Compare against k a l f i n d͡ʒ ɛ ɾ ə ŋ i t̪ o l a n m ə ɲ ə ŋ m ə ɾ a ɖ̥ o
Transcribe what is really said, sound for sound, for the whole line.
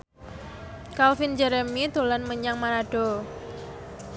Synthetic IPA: k a l f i n d͡ʒ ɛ ɾ ə m i t̪ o l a n m ə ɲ a ŋ m a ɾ a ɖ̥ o